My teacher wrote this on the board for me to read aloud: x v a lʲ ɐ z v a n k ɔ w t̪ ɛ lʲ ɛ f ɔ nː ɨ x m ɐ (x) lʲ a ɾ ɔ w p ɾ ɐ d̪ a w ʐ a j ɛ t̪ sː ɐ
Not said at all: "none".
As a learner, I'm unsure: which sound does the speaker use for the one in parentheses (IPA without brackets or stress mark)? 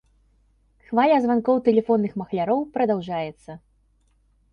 x